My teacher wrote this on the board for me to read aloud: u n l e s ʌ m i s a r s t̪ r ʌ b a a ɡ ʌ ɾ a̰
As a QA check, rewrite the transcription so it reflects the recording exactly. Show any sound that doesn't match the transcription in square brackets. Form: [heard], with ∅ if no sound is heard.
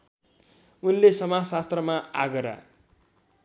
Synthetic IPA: u n l e s ʌ m [a] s a [∅] s t̪ r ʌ [m] a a ɡ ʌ ɾ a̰